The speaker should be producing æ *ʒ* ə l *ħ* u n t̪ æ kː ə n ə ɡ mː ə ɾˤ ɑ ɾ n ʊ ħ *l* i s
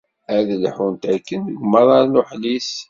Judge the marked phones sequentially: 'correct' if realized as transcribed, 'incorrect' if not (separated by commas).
incorrect, correct, correct